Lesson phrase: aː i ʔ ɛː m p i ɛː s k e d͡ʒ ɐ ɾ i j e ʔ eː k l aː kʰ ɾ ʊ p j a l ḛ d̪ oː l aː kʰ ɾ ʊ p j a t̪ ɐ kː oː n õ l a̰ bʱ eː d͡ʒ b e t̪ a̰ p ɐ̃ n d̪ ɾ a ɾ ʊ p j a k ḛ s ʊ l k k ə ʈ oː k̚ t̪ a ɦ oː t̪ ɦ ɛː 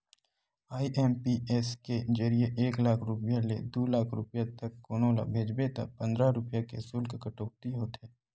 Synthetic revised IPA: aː i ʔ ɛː m p i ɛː s k e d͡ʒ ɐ ɾ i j e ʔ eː k l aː kʰ ɾ ʊ p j a l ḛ d̪ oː l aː kʰ ɾ ʊ p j a t̪ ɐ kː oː n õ l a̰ bʱ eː d͡ʒ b e t̪ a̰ p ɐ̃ n d̪ ɾ a ɾ ʊ p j a k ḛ s ʊ l k k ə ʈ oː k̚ t̪ i ɦ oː t̪ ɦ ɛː